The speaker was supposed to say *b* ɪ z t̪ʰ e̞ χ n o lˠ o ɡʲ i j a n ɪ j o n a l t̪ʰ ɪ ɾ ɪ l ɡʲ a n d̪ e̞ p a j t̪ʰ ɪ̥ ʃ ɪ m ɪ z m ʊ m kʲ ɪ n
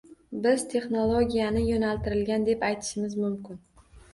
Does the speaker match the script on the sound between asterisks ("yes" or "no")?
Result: yes